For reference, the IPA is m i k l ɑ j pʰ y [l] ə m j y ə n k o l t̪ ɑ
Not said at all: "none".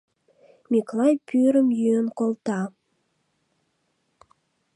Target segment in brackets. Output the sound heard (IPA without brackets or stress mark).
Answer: ɾ